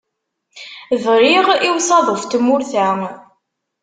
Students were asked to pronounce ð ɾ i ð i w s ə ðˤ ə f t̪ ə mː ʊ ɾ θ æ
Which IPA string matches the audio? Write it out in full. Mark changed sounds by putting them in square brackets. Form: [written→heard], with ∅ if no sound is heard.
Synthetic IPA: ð ɾ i [ð→ʁ] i w s [ə→ɑ] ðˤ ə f t̪ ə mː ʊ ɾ θ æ